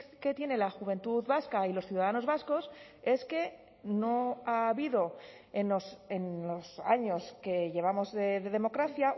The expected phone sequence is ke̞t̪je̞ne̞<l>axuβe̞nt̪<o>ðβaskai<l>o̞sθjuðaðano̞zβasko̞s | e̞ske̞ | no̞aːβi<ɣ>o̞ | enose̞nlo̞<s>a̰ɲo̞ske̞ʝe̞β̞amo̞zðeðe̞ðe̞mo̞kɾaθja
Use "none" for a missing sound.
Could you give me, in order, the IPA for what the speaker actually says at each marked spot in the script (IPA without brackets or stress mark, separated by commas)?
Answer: l, u, l, ð, s